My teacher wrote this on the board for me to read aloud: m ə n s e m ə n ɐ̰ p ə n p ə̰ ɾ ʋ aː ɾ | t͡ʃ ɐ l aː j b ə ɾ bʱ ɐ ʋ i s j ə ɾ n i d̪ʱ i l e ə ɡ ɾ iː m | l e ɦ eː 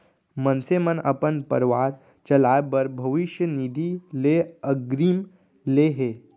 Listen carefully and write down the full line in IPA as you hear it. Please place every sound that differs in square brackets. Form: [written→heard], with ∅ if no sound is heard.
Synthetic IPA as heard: m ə n s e m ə n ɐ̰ p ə n p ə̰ ɾ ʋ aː ɾ | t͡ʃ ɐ l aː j b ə ɾ bʱ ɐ ʋ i [s→ʃ] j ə [ɾ→∅] n i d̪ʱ i l e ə ɡ ɾ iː m | l e ɦ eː